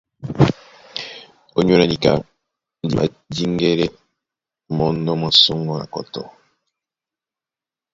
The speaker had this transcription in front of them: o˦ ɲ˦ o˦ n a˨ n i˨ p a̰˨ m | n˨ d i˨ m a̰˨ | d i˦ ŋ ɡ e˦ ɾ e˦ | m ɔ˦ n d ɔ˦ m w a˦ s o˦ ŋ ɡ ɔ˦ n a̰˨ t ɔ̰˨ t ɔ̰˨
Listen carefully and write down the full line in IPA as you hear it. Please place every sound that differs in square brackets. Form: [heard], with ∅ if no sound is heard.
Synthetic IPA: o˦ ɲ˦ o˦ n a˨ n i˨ [k] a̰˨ [∅] | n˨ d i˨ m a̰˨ | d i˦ ŋ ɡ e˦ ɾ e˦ | m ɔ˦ n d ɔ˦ m w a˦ s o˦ ŋ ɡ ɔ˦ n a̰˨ [k] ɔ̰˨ t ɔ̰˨